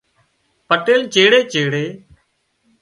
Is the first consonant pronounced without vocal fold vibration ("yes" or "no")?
yes